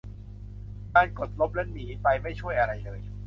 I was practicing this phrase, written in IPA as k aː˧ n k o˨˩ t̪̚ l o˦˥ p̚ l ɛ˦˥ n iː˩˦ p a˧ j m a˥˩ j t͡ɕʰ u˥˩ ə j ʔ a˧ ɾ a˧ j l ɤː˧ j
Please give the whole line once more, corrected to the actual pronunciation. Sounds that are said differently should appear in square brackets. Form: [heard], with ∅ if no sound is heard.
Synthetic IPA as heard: k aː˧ n k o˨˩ t̪̚ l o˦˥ p̚ l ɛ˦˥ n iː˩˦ p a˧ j m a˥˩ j t͡ɕʰ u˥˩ ə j ʔ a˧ ɾ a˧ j l ɤː˧ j